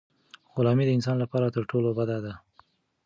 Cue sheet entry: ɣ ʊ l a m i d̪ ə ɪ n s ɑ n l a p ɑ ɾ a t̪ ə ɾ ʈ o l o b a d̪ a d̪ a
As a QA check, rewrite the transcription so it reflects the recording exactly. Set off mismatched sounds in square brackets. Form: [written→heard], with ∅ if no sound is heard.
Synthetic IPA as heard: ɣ ʊ l [a→ɑ] m i d̪ ə ɪ n s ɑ n l a p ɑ ɾ a t̪ ə ɾ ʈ o l o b a d̪ a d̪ a